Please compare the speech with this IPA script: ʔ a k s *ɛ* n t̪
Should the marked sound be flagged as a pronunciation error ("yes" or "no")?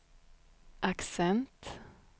no